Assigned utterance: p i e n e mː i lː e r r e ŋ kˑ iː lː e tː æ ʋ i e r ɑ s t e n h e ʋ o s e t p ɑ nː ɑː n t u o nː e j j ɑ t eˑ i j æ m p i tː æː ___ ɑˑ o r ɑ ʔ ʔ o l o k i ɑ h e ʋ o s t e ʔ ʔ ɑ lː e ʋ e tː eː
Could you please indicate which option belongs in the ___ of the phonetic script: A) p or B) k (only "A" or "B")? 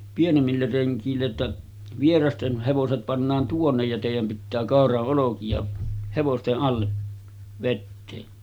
B